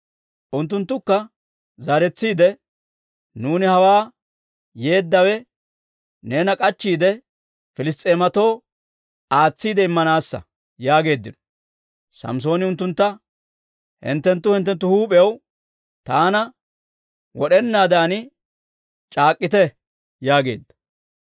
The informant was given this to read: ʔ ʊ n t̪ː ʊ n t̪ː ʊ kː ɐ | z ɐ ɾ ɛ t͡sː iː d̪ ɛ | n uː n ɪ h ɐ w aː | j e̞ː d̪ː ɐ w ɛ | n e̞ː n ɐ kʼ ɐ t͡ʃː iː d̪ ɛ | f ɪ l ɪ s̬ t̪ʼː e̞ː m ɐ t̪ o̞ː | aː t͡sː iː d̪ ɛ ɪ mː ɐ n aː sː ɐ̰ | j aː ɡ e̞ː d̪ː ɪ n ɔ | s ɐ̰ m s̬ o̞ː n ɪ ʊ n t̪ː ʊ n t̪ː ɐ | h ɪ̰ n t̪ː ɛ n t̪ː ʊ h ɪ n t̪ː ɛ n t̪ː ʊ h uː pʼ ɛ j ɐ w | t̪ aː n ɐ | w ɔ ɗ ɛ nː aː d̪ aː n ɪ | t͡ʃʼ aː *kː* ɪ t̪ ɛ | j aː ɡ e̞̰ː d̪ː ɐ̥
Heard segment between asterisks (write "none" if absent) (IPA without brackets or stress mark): kʼː